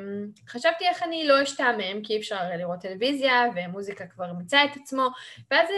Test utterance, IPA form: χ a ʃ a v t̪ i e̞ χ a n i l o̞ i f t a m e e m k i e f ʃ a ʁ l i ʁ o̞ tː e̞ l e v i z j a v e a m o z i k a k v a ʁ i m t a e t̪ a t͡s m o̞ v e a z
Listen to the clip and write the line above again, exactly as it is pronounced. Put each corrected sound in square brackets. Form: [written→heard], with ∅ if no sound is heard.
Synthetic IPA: χ a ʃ a v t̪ i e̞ χ a n i l o̞ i [f→ʃ] t a m e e m k i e f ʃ a ʁ l i ʁ o̞ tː e̞ l e v i z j a v e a m [o→u] z i k a k v a ʁ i m [t→t͡s] a e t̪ a t͡s m o̞ v e a z